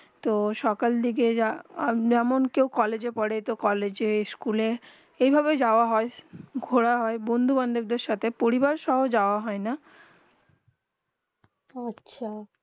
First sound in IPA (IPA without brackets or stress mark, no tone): t̪